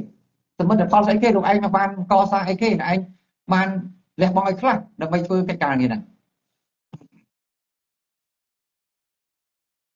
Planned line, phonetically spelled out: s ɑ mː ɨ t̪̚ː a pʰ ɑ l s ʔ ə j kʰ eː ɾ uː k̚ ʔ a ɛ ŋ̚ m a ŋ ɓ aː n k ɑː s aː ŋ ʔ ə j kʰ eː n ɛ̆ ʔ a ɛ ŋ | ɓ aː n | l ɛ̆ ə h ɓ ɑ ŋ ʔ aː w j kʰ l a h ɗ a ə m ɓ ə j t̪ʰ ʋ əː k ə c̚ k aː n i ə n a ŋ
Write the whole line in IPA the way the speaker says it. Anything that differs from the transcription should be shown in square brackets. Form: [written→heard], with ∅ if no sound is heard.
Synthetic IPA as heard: s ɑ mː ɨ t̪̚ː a pʰ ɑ l s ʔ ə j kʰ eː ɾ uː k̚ ʔ a ɛ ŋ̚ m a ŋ ɓ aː n k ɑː s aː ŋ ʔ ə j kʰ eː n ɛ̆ ʔ a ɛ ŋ | ɓ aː n | l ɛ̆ ə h ɓ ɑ ŋ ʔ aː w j kʰ l a h ɗ a ə m ɓ ə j t̪ʰ ʋ əː k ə c̚ k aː n i ə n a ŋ